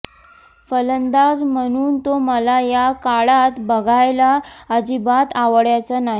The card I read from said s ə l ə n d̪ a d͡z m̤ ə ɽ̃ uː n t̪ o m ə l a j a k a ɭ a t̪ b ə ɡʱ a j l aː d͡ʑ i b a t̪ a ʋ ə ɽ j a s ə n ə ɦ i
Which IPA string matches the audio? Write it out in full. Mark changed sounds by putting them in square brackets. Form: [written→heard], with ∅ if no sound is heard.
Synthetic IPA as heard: [s→f] ə l ə n d̪ a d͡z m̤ ə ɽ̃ uː n t̪ o m ə l a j a k a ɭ a t̪ b ə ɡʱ a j l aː d͡ʑ i b a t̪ a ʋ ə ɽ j a [s→t͡s] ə n [ə→a] ɦ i